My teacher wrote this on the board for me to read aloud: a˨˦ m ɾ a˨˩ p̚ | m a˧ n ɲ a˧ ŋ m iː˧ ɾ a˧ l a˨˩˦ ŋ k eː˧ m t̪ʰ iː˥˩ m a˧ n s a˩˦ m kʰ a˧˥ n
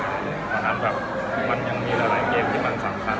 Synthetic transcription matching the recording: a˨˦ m ɾ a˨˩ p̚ | m a˧ n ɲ a˧ ŋ m iː˧ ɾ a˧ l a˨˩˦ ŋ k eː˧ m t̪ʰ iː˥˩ m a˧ n s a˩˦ m kʰ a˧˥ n